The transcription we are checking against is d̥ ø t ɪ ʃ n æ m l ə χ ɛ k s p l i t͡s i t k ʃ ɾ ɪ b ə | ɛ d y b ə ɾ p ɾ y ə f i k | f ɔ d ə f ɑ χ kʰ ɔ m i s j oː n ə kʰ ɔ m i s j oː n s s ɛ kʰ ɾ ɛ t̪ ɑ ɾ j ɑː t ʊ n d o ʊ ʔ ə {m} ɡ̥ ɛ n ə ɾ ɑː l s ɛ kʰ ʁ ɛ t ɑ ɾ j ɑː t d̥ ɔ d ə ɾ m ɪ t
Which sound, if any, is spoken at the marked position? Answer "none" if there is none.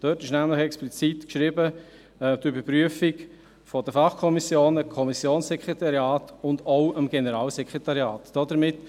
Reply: m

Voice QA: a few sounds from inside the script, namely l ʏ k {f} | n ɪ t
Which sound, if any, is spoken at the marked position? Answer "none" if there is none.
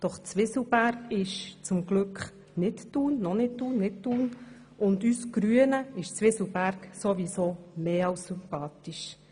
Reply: χ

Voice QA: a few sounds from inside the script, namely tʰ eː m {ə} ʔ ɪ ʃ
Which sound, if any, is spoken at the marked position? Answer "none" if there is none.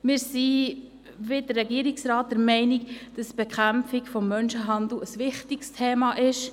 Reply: ɑ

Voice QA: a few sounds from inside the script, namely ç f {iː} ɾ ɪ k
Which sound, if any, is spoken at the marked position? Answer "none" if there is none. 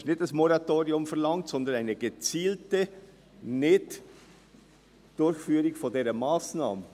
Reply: yː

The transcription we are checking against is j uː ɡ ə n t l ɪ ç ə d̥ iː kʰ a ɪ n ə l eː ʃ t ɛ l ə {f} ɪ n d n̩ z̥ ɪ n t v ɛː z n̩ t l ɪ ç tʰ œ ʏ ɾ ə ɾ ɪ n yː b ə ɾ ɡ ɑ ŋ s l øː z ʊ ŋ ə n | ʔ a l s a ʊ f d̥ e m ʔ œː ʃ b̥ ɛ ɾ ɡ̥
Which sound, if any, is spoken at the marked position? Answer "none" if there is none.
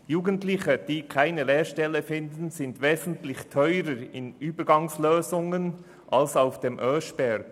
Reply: f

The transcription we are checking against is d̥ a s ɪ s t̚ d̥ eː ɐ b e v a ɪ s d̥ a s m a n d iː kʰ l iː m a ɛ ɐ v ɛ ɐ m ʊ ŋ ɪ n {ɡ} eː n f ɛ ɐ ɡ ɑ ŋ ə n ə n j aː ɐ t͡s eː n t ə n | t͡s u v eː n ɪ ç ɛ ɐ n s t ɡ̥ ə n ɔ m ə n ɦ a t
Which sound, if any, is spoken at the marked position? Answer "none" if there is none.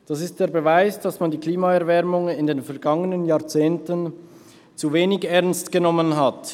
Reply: d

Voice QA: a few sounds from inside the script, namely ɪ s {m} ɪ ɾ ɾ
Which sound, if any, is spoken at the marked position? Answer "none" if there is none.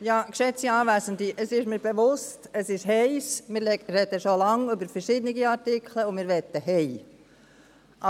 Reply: m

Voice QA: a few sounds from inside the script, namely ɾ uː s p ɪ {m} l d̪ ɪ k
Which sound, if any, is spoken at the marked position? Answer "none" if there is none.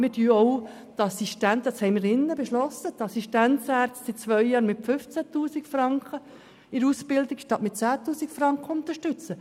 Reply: none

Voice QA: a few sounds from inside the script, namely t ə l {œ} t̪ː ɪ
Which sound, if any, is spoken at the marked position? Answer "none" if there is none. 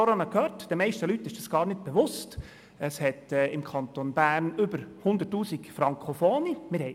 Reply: y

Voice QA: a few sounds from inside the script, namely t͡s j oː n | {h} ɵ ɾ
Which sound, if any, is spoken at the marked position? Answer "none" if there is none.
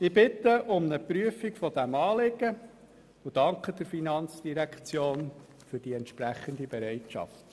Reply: f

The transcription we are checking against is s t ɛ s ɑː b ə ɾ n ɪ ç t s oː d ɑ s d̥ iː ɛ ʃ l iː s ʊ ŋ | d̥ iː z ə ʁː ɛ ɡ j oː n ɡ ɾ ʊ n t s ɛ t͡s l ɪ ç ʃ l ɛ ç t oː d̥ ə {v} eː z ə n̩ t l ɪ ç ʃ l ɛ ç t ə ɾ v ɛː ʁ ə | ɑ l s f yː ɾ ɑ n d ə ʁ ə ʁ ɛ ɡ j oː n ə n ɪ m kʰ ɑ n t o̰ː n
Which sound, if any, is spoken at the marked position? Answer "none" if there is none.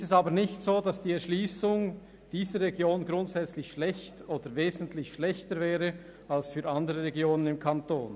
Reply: v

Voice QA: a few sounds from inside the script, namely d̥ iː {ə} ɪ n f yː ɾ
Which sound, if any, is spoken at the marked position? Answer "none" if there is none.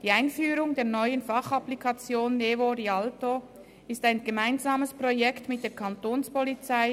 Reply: a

